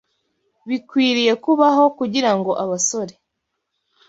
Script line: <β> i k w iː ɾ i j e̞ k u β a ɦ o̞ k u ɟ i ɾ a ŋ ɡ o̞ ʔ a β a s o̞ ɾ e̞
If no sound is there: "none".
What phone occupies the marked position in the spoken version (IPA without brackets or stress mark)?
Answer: β